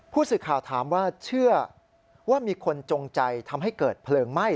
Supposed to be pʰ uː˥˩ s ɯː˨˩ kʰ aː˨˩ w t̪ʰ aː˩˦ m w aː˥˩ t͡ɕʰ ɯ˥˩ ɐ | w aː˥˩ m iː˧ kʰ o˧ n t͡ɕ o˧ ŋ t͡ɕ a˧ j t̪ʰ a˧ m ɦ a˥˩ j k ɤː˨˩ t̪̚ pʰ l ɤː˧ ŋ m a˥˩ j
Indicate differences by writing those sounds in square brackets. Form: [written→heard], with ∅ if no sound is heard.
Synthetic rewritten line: pʰ uː˥˩ s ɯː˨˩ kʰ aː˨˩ w t̪ʰ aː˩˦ m w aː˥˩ t͡ɕʰ ɯ˥˩ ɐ | w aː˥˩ m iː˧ kʰ o˧ n t͡ɕ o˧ ŋ t͡ɕ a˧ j t̪ʰ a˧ m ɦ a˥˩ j k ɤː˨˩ t̪̚ pʰ l ɤː˧ ŋ m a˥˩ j